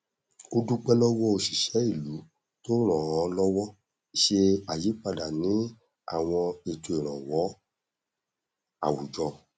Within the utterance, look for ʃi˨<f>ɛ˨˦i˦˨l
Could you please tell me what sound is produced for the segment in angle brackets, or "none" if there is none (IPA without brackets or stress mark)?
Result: ʃ